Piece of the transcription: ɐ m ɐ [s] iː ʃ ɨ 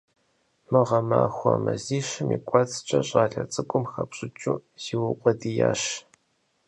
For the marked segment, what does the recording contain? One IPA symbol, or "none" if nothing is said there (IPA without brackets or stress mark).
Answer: z